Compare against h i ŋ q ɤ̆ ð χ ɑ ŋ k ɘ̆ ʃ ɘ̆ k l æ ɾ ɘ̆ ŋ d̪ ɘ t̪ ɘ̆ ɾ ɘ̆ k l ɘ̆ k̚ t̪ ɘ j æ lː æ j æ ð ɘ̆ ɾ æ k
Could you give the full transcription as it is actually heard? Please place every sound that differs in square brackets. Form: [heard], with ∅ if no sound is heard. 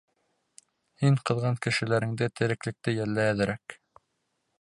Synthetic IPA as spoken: h i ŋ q ɤ̆ ð [ʁ] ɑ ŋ k ɘ̆ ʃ ɘ̆ [∅] l æ ɾ ɘ̆ ŋ d̪ ɘ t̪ ɘ̆ ɾ ɘ̆ k l ɘ̆ k̚ t̪ ɘ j æ lː æ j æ ð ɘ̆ ɾ æ k